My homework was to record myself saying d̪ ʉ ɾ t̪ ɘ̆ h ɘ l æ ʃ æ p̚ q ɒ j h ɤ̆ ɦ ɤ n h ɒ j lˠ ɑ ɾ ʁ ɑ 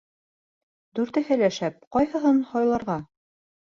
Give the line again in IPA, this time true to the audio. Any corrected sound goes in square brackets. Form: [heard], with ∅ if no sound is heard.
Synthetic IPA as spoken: d̪ ʉ ɾ t̪ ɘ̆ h ɘ l æ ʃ æ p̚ q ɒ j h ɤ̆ ɦ ɤ n h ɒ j lˠ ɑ ɾ ʁ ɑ